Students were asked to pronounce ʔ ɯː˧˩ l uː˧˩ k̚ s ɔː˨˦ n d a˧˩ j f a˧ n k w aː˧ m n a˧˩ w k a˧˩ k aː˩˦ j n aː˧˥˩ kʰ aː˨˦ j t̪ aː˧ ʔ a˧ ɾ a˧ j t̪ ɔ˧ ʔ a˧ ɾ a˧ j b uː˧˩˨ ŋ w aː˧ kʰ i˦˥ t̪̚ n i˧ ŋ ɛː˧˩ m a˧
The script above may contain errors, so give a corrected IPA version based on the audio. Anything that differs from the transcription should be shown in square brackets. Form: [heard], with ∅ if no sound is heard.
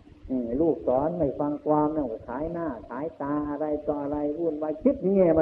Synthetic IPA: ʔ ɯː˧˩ l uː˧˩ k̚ s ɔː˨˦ n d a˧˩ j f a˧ [ŋ] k w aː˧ m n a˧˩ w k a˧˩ [kʰ] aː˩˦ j n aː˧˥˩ kʰ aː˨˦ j t̪ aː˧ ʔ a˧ ɾ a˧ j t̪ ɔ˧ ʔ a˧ ɾ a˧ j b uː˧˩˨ [n] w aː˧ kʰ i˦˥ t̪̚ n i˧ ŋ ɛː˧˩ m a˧